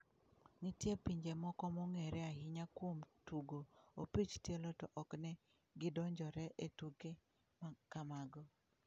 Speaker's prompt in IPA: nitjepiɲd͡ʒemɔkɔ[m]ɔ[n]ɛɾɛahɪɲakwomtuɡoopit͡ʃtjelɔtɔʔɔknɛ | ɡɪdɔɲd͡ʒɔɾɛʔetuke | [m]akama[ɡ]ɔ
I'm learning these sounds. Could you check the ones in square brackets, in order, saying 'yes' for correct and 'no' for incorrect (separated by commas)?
yes, no, yes, yes